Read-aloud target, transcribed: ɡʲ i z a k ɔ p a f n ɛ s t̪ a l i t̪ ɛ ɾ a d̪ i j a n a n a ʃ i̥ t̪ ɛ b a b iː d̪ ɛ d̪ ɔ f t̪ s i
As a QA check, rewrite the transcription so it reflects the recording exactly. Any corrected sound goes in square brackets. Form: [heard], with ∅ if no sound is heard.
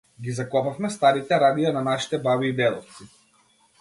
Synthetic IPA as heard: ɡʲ i z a k ɔ p a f [m] ɛ s t̪ a [ɾ] i t̪ ɛ ɾ a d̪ i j a n a n a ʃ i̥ t̪ ɛ b a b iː d̪ ɛ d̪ ɔ f t̪ s i